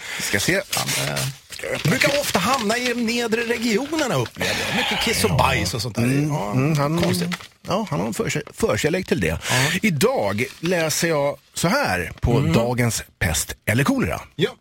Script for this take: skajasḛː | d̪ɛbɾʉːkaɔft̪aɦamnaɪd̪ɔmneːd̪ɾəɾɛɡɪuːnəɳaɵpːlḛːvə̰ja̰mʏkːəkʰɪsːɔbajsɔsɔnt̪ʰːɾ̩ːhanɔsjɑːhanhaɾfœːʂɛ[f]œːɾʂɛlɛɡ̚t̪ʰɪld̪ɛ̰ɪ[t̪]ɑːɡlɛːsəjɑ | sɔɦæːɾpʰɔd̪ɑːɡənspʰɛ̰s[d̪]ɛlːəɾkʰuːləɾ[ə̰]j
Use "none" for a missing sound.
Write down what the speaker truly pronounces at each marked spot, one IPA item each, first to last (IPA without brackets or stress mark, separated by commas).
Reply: f, d̪, t̪, a̰